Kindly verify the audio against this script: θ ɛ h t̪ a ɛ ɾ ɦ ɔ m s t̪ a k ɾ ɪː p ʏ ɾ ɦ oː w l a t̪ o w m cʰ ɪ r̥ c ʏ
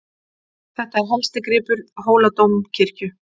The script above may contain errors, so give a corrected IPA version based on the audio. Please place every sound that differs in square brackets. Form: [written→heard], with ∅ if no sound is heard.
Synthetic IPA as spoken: θ ɛ h t̪ a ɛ ɾ ɦ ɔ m s t̪ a k ɾ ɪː p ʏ ɾ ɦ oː w l a t̪ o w m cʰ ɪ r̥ c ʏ